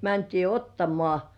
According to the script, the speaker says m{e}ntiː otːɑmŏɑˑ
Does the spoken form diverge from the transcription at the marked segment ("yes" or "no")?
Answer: yes